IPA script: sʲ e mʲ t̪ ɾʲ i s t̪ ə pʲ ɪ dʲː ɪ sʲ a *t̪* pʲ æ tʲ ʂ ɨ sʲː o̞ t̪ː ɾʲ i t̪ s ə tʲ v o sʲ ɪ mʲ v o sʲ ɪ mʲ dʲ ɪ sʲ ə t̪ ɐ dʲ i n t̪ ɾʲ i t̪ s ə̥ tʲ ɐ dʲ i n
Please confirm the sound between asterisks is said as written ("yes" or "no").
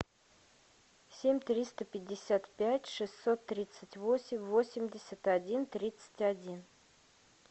yes